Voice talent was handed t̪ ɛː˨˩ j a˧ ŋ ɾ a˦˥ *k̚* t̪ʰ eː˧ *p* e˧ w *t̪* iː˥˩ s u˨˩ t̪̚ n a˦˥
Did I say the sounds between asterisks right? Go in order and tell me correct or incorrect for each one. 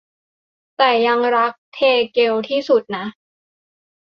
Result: correct, incorrect, incorrect

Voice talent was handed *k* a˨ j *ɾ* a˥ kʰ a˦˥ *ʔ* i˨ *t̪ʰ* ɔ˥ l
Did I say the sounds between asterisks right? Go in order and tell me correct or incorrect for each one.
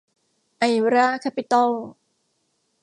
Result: incorrect, correct, incorrect, incorrect

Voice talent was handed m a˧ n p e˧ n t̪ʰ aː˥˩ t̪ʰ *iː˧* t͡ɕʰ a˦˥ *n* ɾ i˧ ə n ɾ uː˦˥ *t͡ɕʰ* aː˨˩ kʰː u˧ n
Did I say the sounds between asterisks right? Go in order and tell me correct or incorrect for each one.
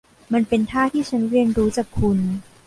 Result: incorrect, correct, incorrect

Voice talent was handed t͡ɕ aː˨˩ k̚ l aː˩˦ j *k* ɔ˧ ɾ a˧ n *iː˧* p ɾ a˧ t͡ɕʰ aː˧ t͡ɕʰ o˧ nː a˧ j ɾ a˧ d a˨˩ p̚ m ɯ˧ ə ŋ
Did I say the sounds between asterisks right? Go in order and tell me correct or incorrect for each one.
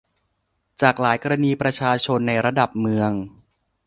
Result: correct, correct

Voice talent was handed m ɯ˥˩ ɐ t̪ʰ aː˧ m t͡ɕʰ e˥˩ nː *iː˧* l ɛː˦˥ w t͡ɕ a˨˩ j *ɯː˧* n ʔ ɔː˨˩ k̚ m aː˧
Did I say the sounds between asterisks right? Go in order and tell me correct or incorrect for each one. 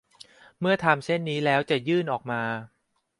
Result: incorrect, incorrect

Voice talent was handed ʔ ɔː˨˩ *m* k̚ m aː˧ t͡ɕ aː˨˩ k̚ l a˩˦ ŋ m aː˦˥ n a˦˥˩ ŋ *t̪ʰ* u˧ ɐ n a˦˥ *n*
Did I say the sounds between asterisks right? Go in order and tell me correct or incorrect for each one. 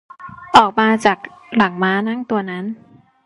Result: incorrect, incorrect, correct

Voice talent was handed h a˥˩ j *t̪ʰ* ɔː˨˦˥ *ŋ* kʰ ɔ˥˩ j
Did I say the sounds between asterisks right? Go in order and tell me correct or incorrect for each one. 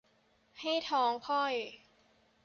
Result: correct, correct

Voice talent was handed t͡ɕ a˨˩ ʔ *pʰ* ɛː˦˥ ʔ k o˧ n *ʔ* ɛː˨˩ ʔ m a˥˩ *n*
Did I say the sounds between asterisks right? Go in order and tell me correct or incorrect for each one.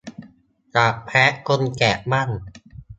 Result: correct, incorrect, correct

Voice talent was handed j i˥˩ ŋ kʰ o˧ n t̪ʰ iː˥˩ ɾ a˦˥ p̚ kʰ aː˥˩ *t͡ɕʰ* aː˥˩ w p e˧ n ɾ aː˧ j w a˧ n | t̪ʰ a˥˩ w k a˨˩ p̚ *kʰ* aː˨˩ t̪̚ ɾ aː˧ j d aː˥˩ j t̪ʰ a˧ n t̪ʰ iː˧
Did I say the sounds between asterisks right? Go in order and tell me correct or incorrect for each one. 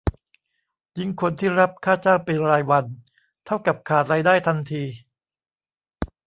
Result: incorrect, correct

